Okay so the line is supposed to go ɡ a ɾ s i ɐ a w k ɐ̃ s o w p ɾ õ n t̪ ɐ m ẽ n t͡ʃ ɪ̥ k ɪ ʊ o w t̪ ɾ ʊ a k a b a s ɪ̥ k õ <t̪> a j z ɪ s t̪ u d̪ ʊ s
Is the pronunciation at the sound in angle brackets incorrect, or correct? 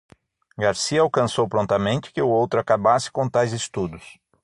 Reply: correct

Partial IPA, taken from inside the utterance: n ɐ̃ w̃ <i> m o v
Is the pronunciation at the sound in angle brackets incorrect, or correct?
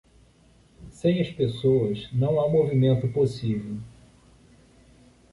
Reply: incorrect: a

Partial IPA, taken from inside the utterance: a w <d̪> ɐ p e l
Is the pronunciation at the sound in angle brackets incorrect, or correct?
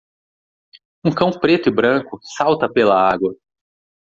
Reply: incorrect: t̪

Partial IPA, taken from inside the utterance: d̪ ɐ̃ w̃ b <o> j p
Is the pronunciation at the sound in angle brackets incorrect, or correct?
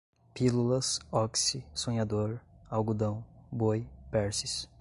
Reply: correct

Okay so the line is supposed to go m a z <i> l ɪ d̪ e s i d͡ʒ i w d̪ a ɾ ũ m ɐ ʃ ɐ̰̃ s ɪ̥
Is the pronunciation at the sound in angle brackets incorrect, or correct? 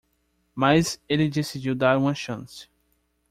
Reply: incorrect: e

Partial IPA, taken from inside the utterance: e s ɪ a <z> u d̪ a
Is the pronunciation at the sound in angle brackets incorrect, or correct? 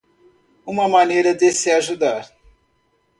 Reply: incorrect: ʒ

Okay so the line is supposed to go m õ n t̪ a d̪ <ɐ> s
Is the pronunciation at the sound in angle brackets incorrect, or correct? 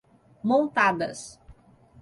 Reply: correct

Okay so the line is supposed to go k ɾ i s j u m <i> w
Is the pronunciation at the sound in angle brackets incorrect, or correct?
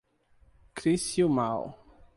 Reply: incorrect: a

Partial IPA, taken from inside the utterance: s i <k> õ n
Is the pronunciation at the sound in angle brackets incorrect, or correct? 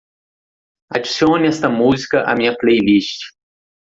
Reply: incorrect: none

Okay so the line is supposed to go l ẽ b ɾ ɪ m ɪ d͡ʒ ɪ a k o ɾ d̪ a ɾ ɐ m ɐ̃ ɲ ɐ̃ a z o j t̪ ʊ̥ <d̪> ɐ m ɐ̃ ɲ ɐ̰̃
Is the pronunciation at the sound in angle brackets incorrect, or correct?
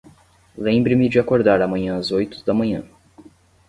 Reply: correct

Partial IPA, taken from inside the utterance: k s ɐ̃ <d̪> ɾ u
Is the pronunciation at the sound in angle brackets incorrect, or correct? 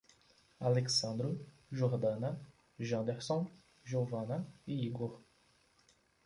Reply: correct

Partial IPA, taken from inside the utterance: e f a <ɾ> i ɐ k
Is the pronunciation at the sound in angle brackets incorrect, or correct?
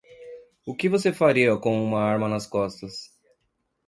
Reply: correct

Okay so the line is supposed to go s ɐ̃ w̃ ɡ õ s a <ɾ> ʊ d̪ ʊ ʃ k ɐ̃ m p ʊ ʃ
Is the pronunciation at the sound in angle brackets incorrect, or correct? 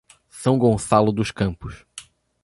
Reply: incorrect: l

